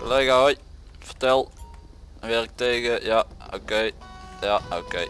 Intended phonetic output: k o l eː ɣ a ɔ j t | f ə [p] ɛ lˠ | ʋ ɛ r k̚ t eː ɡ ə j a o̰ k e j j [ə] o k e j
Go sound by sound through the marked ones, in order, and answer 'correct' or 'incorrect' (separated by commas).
incorrect, incorrect